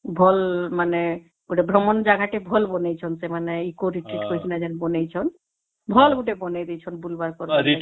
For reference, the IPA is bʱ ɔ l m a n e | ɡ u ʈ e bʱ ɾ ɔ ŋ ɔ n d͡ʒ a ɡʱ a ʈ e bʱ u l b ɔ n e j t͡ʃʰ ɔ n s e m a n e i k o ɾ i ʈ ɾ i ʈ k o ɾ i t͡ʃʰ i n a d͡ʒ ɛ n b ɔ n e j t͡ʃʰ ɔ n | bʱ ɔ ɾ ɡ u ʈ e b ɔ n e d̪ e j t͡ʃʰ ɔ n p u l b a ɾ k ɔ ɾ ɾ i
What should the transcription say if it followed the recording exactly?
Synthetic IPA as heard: bʱ ɔ l m a n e | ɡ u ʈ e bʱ ɾ ɔ m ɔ n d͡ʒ a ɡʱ a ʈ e bʱ ɔ l b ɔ n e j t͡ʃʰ ɔ n s e m a n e i k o ɾ i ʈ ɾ i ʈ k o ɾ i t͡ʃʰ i n a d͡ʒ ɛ n b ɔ n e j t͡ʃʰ ɔ n | bʱ ɔ l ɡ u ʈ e b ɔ n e d̪ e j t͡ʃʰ ɔ n b u l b a ɾ k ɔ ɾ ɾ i

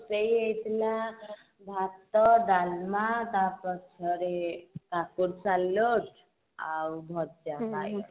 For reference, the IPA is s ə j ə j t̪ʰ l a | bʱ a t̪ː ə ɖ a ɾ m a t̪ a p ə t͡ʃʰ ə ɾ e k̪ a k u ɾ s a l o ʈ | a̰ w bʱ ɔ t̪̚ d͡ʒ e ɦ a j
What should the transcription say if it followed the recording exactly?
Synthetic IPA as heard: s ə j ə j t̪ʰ l a | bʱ a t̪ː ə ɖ a l m a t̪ a p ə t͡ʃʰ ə ɾ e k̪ a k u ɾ s a l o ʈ | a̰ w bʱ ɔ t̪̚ d͡ʒ a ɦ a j

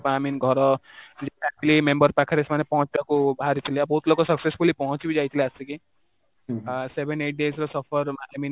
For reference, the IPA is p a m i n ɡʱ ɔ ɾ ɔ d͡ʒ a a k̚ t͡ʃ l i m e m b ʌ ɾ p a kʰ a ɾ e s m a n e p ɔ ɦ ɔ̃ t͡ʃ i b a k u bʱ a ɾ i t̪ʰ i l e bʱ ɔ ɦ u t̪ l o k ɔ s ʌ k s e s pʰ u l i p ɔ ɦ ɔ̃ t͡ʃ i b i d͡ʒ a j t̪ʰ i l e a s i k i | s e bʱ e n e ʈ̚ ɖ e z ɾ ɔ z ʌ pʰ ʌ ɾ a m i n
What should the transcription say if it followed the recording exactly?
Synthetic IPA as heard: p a m i n ɡʱ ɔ ɾ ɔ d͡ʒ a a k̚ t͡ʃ l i m e m b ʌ ɾ p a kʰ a ɾ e s m a n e p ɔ ɦ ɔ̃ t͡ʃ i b a k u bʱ a ɾ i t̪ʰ i l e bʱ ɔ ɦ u t̪ l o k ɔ s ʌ k s e s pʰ u l i p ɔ ɦ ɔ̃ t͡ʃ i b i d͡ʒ a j t̪ʰ i l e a s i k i | s e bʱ e n e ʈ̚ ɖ e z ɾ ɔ s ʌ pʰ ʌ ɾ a m i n

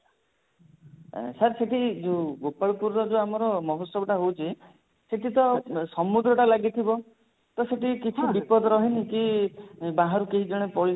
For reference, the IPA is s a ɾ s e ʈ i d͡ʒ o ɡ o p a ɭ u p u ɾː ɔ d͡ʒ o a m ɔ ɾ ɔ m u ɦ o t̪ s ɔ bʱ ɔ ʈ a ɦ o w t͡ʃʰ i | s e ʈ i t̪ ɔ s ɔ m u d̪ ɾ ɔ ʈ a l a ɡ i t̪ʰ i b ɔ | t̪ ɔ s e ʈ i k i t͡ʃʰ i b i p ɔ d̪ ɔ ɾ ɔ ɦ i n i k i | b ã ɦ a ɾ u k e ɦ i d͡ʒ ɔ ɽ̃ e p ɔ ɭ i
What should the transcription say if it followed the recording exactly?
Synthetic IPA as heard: s a ɾ s e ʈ i d͡ʒ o ɡ o p a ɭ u p u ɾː ɔ d͡ʒ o a m ɔ ɾ ɔ m ɔ ɦ o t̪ s ɔ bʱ ɔ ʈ a ɦ o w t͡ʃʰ i | s e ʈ i t̪ ɔ s ɔ m u d̪ ɾ ɔ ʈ a l a ɡ i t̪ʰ i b ɔ | t̪ ɔ s e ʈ i k i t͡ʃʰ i b i p ɔ d̪ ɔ ɾ ɔ ɦ i n i k i | b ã ɦ a ɾ u k e ɦ i d͡ʒ ɔ ɽ̃ e p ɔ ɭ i

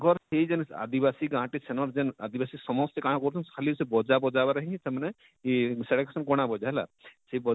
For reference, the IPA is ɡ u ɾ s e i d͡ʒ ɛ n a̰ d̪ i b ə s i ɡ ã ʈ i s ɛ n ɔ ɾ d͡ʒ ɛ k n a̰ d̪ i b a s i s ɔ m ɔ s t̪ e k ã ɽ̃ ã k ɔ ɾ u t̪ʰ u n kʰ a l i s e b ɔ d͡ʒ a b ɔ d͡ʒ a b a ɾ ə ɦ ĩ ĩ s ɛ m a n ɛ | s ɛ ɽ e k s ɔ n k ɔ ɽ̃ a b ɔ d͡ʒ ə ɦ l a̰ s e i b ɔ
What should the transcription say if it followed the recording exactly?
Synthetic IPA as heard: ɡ ɔ ɾ s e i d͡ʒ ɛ n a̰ d̪ i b a s i ɡ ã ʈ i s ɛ n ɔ ɾ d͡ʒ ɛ n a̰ d̪ i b a s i s ɔ m ɔ s t̪ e k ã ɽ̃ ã k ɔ ɾ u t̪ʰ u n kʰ a l i s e b ɔ d͡ʒ a b ɔ d͡ʒ a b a ɾ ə ɦ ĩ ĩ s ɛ m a n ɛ | s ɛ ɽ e k s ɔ n k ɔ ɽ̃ a b ɔ d͡ʒ a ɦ l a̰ s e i b ɔ

